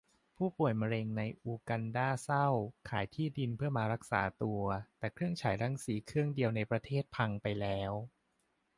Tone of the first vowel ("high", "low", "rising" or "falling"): falling